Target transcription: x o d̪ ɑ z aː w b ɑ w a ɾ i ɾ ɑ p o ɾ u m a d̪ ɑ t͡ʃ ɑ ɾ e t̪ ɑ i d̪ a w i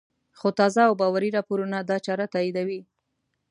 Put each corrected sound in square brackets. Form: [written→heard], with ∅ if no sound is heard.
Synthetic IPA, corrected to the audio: x o [d̪→t̪] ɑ z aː w b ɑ w a ɾ i ɾ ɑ p o ɾ u [m→n] a d̪ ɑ t͡ʃ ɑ ɾ [e→a] t̪ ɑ i d̪ a w i